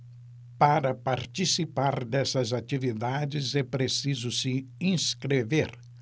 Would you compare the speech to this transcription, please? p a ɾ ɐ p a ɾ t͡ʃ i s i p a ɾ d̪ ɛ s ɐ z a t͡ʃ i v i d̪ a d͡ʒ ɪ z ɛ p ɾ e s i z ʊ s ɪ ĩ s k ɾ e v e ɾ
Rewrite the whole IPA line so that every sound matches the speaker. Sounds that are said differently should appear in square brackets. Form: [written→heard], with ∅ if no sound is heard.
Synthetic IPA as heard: p a ɾ ɐ p a ɾ t͡ʃ i s i p a ɾ d̪ ɛ s ɐ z a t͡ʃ i v i d̪ a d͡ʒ ɪ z ɛ p ɾ e s i z ʊ s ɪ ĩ s k ɾ e v e ɾ

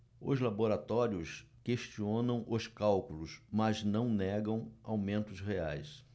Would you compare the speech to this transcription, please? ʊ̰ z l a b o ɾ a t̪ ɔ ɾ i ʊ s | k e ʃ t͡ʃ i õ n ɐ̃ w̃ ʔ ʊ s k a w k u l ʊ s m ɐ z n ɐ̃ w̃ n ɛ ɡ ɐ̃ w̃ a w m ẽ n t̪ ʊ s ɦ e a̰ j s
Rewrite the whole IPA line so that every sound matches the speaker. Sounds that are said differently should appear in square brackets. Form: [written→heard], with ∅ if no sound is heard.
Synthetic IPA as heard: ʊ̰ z l a b o ɾ a t̪ ɔ ɾ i ʊ s | k e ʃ t͡ʃ i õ n ɐ̃ w̃ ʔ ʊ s k a w k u l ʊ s m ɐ z n ɐ̃ w̃ n ɛ ɡ ɐ̃ w̃ a w m ẽ n t̪ ʊ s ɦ e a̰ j s

